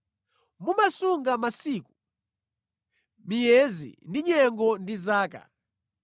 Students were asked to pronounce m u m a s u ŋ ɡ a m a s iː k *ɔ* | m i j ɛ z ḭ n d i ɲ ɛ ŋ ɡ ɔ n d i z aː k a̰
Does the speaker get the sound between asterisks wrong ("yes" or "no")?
yes